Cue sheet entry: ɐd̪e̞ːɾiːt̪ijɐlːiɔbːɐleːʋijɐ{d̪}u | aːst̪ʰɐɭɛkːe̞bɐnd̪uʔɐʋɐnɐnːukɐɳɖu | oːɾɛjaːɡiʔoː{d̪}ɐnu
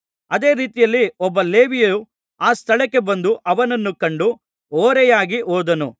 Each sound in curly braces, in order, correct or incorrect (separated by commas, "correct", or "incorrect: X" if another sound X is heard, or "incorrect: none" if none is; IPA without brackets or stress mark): incorrect: none, correct